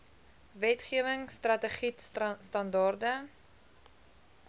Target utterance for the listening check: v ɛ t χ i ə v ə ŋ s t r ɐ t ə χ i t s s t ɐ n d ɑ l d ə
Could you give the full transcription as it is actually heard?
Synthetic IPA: v ɛ t χ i ə v ə ŋ s t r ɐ t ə χ i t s s t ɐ n d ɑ r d ə